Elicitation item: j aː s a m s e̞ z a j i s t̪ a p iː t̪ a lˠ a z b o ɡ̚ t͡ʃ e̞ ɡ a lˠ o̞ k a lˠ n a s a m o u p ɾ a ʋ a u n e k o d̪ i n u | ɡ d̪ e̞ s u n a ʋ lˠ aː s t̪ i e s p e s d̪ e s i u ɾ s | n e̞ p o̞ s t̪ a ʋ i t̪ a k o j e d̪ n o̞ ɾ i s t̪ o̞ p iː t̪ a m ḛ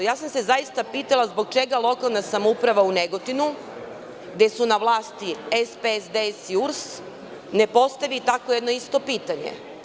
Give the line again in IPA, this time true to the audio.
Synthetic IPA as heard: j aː s a m s e̞ z a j i s t̪ a p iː t̪ a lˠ a z b o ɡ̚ t͡ʃ e̞ ɡ a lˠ o̞ k a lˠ n a s a m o u p ɾ a ʋ a u n e ɡ o t̪ i n u | ɡ d̪ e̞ s u n a ʋ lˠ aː s t̪ i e s p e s d̪ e s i u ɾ s | n e̞ p o̞ s t̪ a ʋ i t̪ a k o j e d̪ n o̞ i s t̪ o̞ p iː t̪ a ɲ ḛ